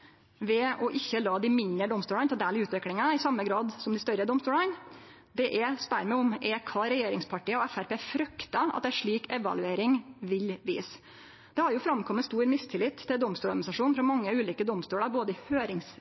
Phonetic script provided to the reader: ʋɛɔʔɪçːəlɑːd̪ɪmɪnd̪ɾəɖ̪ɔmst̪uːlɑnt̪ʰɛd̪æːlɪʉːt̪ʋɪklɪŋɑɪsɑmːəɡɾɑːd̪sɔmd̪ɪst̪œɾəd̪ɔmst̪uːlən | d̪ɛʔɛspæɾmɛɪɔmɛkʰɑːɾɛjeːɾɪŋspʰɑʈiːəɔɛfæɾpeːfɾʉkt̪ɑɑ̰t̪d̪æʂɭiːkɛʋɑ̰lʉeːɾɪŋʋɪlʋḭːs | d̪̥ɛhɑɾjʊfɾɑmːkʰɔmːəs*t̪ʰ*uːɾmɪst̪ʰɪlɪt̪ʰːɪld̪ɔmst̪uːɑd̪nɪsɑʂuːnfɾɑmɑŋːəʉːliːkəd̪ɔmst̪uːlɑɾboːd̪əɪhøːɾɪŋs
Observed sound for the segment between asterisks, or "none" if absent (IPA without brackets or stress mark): t̪